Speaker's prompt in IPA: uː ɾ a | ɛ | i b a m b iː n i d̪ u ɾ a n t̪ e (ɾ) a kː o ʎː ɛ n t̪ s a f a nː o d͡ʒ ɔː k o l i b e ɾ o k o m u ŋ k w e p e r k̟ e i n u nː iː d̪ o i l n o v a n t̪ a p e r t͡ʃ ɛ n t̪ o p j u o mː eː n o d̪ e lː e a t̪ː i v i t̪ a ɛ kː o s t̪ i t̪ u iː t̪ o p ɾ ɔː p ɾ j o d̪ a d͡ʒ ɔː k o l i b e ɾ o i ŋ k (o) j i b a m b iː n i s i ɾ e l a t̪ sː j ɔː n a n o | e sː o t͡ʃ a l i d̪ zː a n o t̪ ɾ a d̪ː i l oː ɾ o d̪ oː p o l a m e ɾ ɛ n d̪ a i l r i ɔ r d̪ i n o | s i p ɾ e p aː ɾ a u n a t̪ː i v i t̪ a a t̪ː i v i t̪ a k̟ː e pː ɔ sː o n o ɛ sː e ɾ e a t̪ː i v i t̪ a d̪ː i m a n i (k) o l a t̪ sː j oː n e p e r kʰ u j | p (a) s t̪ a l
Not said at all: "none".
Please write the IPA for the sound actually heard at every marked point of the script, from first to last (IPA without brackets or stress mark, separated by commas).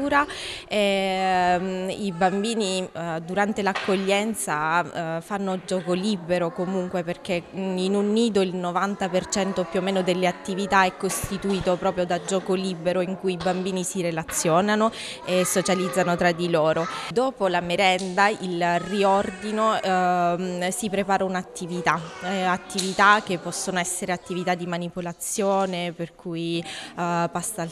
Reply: l, u, p, a